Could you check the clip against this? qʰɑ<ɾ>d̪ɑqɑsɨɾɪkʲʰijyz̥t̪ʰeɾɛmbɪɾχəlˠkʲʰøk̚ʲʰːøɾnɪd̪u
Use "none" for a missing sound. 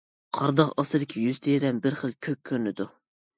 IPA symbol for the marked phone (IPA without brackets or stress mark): ɾ